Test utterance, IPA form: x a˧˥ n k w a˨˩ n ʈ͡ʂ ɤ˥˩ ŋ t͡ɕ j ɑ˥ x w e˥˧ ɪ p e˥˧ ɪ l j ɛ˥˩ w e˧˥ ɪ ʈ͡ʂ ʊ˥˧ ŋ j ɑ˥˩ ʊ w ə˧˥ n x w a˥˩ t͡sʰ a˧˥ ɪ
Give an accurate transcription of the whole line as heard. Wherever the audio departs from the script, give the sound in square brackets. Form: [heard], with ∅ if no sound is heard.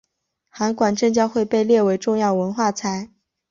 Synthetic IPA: x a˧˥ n k w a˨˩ n ʈ͡ʂ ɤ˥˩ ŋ t͡ɕ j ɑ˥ x w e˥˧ ɪ p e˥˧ ɪ l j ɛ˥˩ w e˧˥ ɪ ʈ͡ʂ ʊ˥˧ ŋ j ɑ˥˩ ʊ w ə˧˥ n x w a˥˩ t͡sʰ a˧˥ ɪ